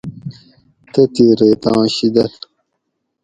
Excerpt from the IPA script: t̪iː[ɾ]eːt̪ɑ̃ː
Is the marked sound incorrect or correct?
correct